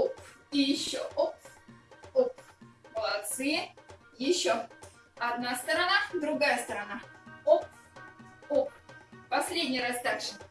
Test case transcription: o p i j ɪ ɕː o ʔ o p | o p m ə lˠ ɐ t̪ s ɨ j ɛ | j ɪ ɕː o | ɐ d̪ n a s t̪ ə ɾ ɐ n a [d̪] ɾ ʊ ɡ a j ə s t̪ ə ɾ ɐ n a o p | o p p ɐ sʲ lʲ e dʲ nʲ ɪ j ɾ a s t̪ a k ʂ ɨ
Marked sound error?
no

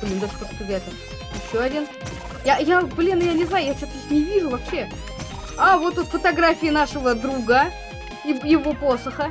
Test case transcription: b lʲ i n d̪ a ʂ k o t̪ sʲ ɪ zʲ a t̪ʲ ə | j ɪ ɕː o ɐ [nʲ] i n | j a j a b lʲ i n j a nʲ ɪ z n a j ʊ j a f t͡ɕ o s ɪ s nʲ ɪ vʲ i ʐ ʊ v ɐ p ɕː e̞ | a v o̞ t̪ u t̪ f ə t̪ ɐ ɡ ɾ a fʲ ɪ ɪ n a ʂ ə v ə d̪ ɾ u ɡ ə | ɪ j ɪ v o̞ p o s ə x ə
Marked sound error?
yes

